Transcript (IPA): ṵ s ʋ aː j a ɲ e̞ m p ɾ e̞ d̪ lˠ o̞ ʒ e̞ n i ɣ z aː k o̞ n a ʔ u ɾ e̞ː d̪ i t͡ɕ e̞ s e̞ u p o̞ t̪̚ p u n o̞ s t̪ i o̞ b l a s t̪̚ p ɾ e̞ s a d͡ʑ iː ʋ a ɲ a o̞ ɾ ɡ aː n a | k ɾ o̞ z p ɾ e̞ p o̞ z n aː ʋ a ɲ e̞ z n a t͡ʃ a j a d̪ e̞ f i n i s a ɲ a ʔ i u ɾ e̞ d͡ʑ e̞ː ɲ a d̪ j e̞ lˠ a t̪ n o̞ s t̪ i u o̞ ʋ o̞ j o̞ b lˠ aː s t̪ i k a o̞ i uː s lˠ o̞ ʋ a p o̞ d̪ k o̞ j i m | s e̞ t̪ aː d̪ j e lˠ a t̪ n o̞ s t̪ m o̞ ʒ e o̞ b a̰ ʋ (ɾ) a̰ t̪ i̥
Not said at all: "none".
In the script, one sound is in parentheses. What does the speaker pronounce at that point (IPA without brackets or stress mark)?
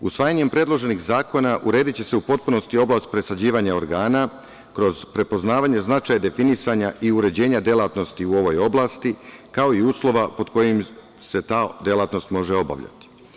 ʎ